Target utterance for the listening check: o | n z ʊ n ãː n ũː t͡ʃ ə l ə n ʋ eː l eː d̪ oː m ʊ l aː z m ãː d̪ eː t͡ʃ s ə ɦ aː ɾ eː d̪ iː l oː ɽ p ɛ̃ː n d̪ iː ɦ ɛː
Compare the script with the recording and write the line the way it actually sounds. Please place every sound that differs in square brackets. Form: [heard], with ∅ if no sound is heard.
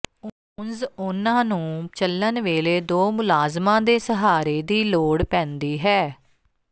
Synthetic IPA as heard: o | n z ʊ n ãː n ũː t͡ʃ ə l ə n ʋ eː l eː d̪ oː m ʊ l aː z m ãː d̪ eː [∅] s ə ɦ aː ɾ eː d̪ iː l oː ɽ p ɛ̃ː n d̪ iː ɦ ɛː